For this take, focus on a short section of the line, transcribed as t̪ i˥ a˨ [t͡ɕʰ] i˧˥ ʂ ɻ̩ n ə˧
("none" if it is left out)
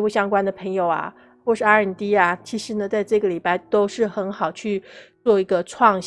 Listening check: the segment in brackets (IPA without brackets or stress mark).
t͡ɕʰ